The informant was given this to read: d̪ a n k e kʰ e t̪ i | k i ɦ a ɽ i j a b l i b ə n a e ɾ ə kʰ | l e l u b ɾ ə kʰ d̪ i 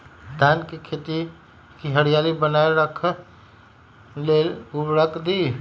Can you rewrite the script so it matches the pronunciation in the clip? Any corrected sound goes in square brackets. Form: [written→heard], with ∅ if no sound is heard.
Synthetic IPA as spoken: d̪ a n k e kʰ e t̪ i | k i ɦ [a→ə] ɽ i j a [b→∅] l i b ə n a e ɾ ə kʰ | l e l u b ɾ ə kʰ d̪ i